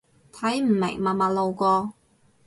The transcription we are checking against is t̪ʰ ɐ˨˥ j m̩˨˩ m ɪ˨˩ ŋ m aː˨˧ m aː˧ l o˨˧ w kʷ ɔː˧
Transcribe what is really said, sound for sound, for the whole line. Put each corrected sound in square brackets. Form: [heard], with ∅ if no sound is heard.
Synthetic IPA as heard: t̪ʰ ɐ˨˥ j m̩˨˩ m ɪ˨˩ ŋ m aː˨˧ m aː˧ l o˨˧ w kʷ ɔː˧